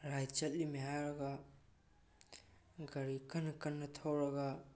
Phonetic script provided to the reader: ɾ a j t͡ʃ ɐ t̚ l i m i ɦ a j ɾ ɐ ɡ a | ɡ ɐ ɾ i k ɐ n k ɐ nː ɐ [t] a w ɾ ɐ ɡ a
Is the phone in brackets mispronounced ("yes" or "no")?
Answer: yes